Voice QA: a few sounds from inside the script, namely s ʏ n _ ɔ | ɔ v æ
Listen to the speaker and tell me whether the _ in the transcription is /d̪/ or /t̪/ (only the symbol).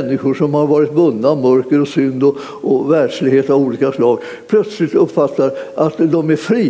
d̪